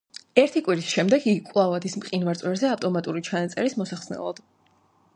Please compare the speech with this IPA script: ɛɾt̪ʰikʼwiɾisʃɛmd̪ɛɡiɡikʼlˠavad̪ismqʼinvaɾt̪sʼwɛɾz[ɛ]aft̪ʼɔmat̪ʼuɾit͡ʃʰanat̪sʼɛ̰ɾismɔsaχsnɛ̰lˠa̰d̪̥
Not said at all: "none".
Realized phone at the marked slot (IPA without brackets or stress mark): ɛ